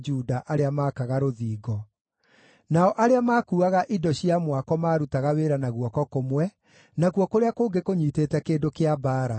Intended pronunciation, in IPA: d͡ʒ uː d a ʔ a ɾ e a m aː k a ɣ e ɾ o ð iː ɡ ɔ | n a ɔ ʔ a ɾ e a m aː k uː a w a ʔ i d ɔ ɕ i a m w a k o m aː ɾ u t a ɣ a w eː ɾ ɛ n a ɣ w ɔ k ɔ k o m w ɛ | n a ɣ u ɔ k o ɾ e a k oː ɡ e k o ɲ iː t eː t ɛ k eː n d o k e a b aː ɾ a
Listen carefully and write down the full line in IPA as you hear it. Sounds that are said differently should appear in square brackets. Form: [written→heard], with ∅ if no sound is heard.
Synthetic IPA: d͡ʒ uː d a ʔ a ɾ e a m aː k a ɣ [e→a] ɾ o ð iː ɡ ɔ | n a ɔ ʔ a ɾ e a m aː k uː a [w→ɣ] a ʔ i d ɔ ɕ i a m w a k [o→ɔ] m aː ɾ u t a ɣ a w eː ɾ [ɛ→a] n a ɣ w ɔ k ɔ k o m w ɛ | n a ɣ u ɔ k o ɾ e a k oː ɡ e k o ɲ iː t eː t ɛ k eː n d o k e a b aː ɾ a